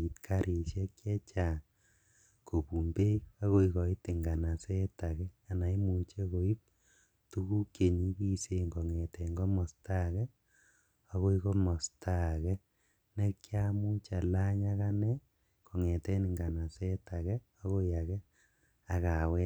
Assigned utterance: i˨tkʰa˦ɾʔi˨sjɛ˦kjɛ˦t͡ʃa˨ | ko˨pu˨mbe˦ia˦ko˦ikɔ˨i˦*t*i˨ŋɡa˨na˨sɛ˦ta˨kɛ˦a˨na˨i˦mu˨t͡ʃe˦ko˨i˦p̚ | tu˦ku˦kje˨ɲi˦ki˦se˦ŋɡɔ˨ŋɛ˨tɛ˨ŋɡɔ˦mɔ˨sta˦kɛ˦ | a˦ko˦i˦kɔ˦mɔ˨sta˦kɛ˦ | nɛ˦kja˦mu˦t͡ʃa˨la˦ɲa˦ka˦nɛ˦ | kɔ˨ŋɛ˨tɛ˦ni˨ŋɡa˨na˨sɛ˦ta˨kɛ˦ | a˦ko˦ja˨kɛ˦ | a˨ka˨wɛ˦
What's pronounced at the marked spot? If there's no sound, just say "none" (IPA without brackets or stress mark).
t